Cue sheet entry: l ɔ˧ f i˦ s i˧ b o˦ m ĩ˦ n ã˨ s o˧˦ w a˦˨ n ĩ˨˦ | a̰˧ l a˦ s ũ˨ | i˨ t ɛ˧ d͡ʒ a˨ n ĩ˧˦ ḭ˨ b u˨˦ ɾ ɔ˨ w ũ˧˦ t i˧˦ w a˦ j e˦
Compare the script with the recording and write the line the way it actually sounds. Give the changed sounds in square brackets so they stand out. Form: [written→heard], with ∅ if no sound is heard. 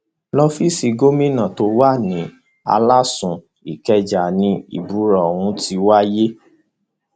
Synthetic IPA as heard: l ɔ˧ f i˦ s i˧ [b→ɡ] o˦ m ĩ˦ n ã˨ [s→t] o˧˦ w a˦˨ n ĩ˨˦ | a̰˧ l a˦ s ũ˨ | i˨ [t→k] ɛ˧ d͡ʒ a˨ n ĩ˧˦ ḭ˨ b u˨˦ ɾ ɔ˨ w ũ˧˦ t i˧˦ w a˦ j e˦